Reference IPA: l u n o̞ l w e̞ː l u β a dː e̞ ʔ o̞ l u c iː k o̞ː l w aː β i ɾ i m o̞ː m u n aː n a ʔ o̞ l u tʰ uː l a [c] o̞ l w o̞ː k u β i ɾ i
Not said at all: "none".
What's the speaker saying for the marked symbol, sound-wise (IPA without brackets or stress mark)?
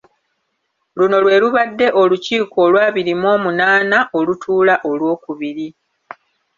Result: ʔ